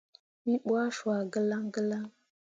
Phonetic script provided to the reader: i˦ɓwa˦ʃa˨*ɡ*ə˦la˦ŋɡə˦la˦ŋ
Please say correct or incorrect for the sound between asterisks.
correct